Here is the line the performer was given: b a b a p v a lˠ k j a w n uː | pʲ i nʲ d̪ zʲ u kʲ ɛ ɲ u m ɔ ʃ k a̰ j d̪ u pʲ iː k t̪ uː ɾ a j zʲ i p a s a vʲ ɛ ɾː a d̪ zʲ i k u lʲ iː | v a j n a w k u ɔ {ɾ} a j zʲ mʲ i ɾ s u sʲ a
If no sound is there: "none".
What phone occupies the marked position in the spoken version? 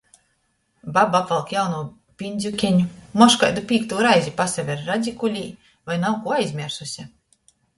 none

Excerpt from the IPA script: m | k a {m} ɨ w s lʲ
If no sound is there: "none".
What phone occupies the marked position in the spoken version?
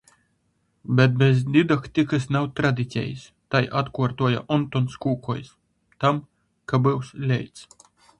b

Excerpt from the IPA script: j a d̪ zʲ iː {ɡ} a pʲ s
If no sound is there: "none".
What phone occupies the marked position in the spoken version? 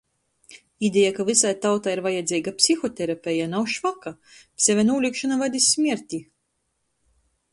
ɡ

